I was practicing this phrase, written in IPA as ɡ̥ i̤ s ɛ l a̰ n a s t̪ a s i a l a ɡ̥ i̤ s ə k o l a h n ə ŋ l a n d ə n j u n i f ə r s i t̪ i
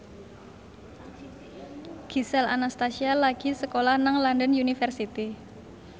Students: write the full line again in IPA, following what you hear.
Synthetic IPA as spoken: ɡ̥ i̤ s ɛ l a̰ n a s t̪ a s i a l a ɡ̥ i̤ s ə k o l a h n a ŋ l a n d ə n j u n i f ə r s i t̪ i